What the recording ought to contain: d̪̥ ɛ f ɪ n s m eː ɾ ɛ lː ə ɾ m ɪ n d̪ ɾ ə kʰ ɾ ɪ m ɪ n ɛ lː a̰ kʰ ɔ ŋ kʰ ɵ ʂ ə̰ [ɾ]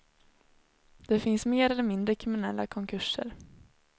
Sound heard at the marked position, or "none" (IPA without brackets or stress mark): ɾ